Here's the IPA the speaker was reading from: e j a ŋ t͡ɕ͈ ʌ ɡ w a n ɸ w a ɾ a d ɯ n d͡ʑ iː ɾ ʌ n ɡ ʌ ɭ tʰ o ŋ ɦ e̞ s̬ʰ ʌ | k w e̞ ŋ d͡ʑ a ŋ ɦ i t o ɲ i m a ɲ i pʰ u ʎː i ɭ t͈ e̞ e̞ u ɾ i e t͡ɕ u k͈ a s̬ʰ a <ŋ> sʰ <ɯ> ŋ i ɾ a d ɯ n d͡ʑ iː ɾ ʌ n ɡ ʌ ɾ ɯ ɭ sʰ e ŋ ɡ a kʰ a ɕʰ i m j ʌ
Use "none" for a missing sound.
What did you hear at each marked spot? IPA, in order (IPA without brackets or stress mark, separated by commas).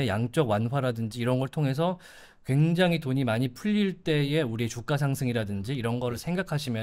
ŋ, ɯ